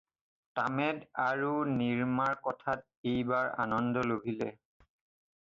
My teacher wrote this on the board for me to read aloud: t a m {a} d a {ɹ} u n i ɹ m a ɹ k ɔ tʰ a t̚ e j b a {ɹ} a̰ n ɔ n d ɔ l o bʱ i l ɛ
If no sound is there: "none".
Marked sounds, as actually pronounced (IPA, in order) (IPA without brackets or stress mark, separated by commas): ɛ, ɹ, ɹ